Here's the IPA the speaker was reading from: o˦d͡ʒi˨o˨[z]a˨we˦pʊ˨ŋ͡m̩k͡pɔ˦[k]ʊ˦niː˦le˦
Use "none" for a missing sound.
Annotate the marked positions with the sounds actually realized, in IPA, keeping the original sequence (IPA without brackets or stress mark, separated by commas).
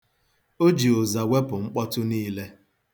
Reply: z, t